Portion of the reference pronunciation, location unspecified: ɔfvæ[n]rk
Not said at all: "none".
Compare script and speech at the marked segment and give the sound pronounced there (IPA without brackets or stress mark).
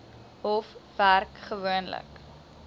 none